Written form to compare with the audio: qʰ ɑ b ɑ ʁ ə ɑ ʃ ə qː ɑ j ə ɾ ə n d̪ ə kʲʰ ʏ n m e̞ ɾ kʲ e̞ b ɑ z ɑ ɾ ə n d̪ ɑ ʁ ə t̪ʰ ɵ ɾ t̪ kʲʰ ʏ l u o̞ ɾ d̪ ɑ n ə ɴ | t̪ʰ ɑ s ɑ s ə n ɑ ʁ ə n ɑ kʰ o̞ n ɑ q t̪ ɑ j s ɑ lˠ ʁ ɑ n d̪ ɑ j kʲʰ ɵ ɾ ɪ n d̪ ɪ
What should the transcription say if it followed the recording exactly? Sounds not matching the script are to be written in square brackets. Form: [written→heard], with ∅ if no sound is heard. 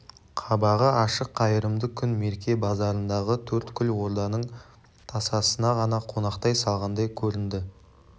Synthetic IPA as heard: qʰ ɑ b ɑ ʁ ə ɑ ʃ ə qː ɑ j ə ɾ ə [n→m] d̪ ə kʲʰ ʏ n m e̞ ɾ kʲ e̞ b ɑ z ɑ ɾ ə n d̪ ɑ ʁ ə t̪ʰ ɵ ɾ t̪ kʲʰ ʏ l [u→w] o̞ ɾ d̪ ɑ n ə ɴ | t̪ʰ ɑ s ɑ s ə n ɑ ʁ [ə→ɑ] n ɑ [kʰ→qʰ] o̞ n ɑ q t̪ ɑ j s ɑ lˠ ʁ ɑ n d̪ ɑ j kʲʰ ɵ ɾ ɪ n d̪ ɪ